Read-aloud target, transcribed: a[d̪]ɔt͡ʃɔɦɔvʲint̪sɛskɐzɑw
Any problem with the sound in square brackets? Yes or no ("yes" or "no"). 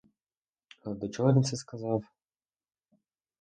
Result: no